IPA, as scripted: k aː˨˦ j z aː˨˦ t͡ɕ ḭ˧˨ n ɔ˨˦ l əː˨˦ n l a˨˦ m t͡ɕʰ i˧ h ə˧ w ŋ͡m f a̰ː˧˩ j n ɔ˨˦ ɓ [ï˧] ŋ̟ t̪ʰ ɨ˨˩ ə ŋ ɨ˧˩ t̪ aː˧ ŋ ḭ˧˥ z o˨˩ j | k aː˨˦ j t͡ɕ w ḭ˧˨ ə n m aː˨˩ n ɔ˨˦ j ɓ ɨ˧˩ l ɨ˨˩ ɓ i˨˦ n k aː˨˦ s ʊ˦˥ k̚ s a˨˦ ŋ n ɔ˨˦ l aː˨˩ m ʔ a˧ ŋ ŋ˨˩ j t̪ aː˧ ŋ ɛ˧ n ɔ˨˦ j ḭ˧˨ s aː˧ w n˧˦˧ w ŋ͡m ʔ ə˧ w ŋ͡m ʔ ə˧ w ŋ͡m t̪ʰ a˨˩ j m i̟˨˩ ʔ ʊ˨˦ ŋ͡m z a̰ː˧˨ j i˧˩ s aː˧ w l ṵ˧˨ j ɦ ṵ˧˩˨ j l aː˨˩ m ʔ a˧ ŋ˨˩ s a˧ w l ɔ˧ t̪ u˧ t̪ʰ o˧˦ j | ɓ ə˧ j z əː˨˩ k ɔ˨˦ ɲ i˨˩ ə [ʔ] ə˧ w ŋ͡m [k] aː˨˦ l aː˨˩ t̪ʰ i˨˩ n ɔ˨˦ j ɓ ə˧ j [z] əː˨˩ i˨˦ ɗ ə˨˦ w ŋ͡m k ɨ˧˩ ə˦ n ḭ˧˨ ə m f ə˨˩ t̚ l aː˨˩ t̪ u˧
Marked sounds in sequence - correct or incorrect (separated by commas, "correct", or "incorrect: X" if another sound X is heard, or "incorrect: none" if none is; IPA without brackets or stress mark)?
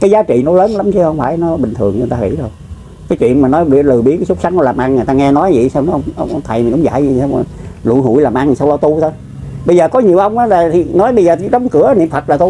incorrect: ï˨˩, correct, incorrect: ʔ, correct